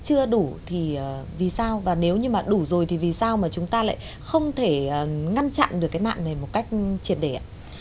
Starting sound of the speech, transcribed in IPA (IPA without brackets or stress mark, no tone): t͡ɕ